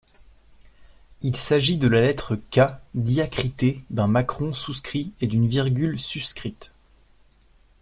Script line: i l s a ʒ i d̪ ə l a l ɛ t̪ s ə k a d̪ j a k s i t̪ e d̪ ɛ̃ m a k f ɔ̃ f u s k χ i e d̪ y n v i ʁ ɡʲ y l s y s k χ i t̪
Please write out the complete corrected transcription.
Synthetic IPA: i l s a ʒ i d̪ ə l a l ɛ t̪ χ ə k a d̪ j a k χ i t̪ e d̪ ɛ̃ m a k χ ɔ̃ s u s k χ i e d̪ y n v i ʁ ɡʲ y l s y s k χ i t̪